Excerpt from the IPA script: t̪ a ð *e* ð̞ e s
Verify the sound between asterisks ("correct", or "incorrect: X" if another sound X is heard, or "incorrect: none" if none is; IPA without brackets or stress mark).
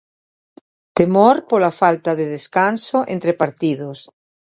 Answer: correct